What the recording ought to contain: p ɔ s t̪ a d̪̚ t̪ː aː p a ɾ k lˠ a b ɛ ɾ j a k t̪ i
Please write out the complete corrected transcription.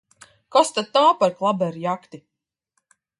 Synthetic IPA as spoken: k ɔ s t̪ a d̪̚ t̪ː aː p a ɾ k lˠ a b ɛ ɾ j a k t̪ i